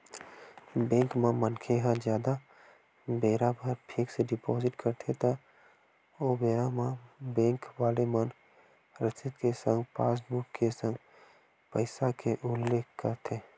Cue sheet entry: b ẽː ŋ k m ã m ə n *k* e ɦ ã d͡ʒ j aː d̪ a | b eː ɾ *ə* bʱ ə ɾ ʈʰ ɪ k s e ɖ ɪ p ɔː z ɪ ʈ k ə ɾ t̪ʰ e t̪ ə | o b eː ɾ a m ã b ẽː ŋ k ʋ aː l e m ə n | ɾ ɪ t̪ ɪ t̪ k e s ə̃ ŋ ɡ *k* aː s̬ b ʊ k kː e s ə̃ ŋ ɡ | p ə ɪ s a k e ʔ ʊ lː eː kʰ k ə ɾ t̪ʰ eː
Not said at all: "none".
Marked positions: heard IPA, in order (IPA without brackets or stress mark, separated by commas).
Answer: kʰ, a, p